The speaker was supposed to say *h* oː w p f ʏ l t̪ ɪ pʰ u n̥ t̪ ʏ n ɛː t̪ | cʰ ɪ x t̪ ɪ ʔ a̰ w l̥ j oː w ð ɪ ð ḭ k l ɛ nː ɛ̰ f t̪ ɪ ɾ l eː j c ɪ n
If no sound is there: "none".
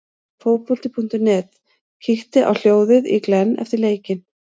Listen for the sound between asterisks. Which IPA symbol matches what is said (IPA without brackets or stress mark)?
f